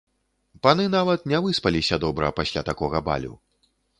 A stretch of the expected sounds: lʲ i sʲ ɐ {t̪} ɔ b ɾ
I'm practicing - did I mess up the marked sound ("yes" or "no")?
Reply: yes